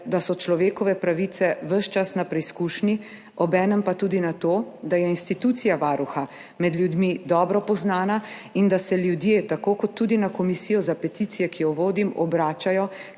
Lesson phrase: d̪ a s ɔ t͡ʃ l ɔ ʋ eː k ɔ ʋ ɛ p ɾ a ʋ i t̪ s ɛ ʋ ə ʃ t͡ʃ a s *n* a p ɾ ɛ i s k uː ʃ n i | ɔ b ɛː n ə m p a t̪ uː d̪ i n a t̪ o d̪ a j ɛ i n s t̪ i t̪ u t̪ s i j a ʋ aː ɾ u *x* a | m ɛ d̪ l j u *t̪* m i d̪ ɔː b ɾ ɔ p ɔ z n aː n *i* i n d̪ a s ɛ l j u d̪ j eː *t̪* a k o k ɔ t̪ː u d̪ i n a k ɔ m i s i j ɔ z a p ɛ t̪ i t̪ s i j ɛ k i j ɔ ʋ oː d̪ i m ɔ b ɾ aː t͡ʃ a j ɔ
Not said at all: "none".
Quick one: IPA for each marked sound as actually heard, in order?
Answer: n, x, d̪, a, t̪

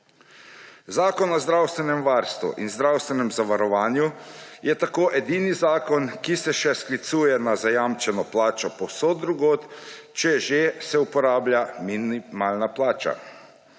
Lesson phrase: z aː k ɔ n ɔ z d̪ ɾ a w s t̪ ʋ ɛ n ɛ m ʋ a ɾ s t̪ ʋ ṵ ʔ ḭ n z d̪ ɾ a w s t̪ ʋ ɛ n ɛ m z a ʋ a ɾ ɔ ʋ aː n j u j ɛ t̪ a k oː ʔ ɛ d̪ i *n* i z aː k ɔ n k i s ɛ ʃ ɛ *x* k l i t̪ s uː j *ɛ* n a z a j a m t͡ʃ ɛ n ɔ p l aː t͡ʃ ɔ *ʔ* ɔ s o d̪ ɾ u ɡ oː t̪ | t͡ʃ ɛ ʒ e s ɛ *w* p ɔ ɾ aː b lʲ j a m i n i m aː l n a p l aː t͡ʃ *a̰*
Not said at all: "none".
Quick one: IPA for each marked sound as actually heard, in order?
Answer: n, s, ɛ, p, u, a̰

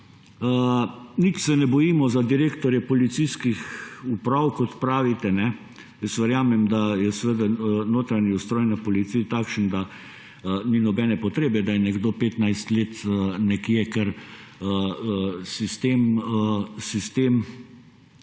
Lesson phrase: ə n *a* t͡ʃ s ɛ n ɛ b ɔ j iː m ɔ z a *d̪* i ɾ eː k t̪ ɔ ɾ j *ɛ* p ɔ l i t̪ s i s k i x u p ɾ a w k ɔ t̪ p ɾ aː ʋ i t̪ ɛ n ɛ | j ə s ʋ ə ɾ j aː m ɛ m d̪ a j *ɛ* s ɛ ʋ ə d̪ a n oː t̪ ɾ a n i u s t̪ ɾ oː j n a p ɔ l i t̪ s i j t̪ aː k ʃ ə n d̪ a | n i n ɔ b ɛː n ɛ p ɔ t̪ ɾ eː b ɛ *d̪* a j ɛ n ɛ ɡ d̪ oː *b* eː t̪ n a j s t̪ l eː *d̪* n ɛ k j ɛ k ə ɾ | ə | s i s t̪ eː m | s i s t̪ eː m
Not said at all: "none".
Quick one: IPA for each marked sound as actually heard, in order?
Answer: i, d̪, ɛ, ɛ, d̪, p, t̪

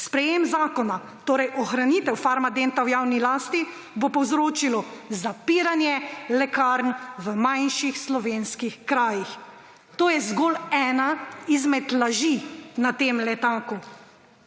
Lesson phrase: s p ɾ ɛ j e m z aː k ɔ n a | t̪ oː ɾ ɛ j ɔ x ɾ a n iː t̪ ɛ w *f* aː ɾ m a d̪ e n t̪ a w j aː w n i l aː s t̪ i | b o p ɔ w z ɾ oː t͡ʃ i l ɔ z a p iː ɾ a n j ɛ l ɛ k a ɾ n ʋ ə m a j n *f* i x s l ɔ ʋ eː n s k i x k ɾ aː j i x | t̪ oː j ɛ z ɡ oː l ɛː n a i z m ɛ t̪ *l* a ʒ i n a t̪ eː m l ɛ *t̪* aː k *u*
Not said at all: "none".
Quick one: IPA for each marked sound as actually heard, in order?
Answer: f, ʃ, l, t̪, u

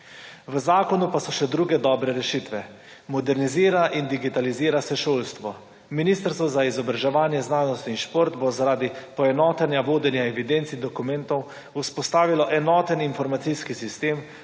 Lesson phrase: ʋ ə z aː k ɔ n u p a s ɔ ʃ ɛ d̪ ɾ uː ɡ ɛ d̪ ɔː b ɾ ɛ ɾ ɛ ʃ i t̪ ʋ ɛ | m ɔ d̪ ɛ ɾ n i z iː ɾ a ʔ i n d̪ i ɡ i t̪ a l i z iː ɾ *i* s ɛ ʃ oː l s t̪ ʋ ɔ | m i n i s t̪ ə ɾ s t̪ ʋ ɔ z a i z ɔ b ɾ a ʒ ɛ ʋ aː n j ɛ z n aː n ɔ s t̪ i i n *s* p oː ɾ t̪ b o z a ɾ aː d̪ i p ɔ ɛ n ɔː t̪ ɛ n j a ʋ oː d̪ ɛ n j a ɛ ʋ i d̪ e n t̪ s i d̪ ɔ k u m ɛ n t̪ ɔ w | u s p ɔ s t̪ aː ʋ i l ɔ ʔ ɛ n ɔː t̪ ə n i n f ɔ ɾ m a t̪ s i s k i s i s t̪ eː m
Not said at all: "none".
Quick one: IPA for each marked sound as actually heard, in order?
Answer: a, ʃ

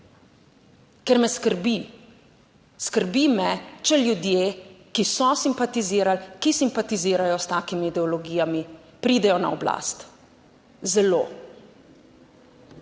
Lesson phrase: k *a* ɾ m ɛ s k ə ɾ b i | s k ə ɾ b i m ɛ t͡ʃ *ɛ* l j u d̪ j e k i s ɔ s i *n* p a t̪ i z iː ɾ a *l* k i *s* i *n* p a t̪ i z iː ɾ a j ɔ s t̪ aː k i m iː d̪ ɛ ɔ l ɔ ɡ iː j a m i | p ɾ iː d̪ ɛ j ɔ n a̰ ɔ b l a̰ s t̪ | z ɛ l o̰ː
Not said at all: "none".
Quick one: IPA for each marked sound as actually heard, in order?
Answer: ɛ, ɛ, m, l, s, m

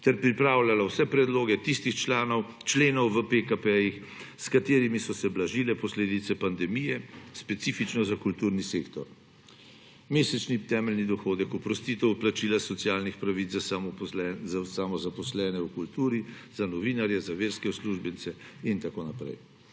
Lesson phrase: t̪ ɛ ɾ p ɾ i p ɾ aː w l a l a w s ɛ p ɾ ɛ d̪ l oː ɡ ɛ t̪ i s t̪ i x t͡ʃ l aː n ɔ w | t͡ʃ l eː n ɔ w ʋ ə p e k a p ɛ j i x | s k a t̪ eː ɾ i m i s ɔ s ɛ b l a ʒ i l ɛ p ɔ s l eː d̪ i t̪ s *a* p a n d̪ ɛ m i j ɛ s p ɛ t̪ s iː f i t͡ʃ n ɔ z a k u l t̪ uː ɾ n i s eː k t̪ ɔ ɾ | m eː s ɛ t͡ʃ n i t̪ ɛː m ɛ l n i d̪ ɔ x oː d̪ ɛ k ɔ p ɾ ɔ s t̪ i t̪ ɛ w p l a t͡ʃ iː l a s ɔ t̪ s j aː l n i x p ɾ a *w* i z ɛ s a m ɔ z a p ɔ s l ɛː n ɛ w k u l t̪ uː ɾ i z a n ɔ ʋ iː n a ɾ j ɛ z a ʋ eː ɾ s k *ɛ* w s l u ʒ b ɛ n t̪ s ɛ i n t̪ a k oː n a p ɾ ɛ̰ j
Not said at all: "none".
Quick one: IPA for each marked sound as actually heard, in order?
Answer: ɛ, ʋ, ɛ

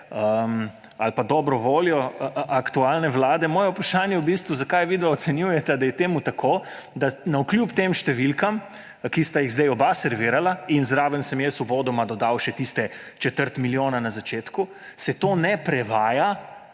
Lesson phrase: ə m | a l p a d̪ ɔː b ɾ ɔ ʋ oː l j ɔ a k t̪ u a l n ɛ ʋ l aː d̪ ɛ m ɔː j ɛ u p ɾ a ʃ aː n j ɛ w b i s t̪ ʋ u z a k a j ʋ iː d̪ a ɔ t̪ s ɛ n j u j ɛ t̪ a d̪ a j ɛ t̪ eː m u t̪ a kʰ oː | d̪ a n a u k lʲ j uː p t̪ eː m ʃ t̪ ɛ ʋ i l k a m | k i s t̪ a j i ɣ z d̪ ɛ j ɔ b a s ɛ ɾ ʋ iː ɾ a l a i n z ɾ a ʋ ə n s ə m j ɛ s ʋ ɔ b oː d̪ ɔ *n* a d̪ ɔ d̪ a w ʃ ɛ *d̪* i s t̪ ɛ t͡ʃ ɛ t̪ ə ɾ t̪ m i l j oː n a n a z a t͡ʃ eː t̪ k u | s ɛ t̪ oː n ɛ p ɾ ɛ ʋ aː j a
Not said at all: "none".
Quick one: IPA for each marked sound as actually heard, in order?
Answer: m, t̪

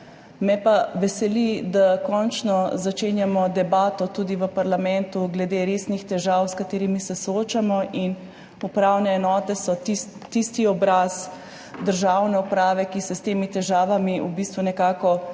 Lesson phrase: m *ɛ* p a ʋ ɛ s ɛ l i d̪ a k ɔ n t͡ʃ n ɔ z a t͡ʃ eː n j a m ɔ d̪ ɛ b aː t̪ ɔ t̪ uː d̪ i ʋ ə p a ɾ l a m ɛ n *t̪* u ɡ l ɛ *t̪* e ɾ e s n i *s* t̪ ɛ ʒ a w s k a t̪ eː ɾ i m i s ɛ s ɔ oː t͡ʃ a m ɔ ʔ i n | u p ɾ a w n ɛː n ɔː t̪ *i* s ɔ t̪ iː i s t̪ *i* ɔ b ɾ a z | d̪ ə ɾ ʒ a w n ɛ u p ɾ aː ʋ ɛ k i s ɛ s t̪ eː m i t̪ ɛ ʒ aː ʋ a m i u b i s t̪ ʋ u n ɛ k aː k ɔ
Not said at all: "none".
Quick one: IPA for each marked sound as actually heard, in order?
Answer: ɛ, t̪, d̪, x, ɛ, i

